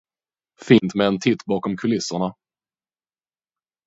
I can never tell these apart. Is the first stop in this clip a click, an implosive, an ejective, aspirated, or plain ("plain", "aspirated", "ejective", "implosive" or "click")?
plain